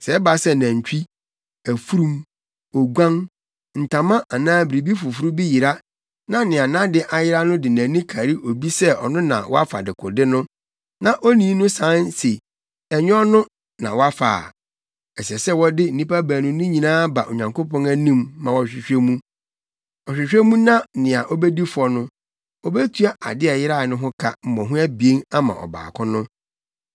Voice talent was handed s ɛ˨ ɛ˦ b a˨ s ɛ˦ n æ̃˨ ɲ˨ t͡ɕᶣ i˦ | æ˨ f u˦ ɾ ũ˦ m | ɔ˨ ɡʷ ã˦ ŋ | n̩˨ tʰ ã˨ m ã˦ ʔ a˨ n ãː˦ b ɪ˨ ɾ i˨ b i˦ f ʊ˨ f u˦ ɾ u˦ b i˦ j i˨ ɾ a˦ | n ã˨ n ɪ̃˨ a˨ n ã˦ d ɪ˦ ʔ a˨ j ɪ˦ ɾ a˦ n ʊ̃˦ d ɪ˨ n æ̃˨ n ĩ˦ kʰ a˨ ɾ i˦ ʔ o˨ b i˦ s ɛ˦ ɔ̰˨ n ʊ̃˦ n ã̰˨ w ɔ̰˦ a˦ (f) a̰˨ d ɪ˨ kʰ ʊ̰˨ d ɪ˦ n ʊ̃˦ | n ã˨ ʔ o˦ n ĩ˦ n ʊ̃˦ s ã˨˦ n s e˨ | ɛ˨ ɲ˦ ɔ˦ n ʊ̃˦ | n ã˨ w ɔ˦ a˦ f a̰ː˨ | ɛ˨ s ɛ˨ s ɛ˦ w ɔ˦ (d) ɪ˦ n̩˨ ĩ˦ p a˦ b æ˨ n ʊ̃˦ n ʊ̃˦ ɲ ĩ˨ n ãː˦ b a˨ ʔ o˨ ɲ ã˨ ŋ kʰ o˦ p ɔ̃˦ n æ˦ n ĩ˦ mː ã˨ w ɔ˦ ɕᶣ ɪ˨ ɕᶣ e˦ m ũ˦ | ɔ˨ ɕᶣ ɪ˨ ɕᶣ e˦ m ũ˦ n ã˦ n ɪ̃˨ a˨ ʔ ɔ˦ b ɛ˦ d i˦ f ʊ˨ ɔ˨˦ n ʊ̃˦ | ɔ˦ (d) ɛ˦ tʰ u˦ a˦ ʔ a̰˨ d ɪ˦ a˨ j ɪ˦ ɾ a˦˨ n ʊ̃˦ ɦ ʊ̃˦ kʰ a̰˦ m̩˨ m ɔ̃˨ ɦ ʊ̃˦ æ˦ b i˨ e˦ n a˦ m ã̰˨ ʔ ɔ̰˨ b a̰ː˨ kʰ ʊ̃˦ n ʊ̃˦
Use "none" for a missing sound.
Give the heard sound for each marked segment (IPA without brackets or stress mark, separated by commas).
f, d, b